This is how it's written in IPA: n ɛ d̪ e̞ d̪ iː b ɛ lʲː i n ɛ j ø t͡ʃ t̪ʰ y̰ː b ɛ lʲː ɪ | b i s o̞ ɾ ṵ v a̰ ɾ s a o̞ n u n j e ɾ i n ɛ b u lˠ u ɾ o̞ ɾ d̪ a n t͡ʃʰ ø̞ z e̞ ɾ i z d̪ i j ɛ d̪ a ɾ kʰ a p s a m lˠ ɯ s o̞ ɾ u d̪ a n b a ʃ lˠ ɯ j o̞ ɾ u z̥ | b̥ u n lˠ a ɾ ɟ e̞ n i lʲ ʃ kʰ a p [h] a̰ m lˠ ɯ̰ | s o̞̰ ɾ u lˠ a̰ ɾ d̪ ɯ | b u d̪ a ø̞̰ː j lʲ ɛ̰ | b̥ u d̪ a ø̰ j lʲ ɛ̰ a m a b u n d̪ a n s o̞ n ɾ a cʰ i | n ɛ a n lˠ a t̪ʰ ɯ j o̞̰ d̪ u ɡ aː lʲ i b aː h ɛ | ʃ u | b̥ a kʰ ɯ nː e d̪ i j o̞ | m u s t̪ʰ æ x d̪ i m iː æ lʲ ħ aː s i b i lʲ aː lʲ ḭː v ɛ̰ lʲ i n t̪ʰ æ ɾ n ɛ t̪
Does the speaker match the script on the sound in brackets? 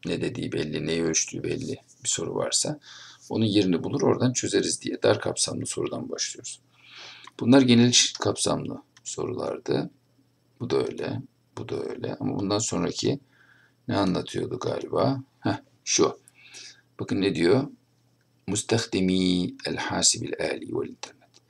no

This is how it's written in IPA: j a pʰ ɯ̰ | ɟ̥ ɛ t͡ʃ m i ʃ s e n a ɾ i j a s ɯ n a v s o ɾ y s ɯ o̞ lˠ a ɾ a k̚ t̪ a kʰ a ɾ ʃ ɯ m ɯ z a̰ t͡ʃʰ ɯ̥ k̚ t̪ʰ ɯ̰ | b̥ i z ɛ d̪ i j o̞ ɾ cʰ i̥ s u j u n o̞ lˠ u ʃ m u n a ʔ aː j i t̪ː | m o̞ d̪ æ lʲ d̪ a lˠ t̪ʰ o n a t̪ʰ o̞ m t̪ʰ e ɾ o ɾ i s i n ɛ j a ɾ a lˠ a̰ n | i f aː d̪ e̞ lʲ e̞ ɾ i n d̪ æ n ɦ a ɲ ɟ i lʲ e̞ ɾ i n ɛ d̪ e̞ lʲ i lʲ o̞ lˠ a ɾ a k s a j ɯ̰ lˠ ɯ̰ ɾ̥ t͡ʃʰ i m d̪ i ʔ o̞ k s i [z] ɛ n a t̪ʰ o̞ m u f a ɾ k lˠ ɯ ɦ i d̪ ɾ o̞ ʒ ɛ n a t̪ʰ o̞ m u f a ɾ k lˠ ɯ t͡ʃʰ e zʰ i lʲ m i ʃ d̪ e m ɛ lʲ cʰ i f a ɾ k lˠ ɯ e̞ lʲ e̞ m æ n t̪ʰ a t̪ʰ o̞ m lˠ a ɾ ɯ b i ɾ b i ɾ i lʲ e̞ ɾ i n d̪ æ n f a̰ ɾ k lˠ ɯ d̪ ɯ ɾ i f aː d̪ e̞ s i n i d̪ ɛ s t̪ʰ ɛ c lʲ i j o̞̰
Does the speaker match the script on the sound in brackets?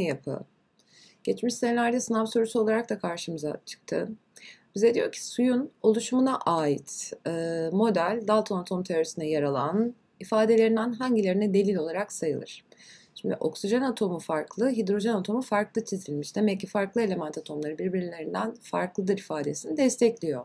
no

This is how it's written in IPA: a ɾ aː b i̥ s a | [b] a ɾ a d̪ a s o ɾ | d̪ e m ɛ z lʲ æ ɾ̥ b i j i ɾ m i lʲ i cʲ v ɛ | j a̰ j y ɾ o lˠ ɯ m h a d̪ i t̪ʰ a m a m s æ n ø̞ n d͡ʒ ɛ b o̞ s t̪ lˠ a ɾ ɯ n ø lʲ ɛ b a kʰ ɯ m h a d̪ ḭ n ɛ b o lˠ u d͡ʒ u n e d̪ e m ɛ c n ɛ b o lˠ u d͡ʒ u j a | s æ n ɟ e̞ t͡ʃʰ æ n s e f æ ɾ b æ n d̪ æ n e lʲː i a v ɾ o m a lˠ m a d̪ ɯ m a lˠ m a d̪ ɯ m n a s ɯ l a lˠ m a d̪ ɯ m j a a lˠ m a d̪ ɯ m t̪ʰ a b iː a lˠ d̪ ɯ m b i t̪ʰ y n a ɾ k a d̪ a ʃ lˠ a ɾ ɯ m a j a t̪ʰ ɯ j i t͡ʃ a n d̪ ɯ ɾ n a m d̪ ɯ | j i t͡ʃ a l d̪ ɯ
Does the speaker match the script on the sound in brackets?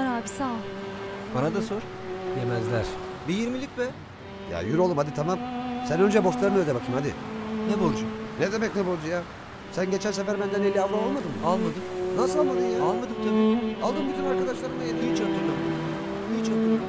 yes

